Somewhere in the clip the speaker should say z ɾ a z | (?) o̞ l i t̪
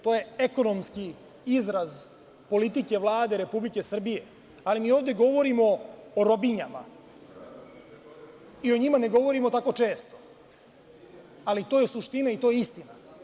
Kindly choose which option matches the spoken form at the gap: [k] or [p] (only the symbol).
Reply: p